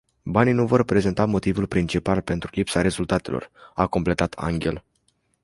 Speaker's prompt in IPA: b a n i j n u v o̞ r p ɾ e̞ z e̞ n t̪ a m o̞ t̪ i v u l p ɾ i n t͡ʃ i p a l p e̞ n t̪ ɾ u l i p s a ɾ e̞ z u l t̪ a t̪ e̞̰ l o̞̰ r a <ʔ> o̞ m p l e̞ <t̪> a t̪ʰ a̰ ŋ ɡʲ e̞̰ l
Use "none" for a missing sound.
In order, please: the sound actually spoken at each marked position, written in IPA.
k, t̪

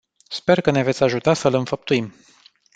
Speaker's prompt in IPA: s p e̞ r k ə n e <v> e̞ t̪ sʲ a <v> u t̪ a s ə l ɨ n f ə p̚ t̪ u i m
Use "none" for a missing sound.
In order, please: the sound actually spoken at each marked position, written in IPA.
v, ʒ

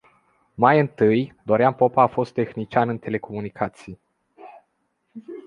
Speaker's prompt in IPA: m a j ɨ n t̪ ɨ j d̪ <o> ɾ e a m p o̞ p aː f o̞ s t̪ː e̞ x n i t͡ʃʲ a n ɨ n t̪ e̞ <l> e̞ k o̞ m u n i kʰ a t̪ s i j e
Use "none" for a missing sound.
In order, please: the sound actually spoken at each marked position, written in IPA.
o, l

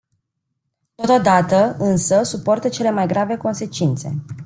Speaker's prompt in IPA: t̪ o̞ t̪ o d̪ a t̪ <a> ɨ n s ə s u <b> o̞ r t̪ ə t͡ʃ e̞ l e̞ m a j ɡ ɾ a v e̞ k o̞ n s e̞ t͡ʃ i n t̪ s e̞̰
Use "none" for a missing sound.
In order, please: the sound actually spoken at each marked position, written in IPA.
ə, p

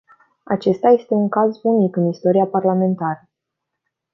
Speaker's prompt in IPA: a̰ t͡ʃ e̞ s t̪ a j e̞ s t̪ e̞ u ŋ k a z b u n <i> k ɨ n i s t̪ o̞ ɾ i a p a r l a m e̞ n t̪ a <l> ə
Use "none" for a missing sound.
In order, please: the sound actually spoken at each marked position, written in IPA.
i, ɾ

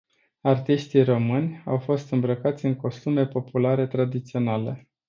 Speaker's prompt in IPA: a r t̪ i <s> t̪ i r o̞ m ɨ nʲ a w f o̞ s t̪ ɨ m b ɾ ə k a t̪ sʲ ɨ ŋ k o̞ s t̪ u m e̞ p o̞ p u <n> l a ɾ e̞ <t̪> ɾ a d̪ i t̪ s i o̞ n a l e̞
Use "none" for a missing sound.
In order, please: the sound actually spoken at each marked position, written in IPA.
ʃ, none, t̪

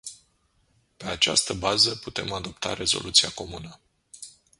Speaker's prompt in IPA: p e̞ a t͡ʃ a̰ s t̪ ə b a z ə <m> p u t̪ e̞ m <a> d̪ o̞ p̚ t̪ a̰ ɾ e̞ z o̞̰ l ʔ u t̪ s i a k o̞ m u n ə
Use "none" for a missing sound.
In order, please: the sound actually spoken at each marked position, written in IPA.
none, a

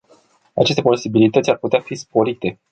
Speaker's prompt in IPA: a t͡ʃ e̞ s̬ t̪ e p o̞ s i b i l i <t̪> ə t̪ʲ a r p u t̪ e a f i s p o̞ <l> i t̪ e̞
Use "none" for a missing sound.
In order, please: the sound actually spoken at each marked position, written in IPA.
t̪, ɾ

